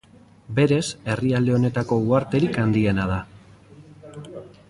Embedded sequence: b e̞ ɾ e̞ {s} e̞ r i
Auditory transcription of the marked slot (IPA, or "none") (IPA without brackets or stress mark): s